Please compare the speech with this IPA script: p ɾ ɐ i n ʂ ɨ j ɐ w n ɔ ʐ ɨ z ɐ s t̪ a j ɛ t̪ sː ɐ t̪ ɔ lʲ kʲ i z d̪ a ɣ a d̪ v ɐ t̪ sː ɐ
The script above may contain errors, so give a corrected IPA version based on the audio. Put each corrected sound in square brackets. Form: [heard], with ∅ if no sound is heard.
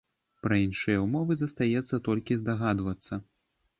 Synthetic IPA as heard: p ɾ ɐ i n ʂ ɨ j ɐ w [m] ɔ [v] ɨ z ɐ s t̪ a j ɛ t̪ sː ɐ t̪ ɔ lʲ kʲ i z d̪ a ɣ a d̪ v ɐ t̪ sː ɐ